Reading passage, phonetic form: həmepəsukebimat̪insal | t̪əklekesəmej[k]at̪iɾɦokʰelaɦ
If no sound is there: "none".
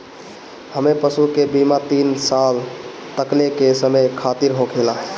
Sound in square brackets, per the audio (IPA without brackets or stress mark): kʰ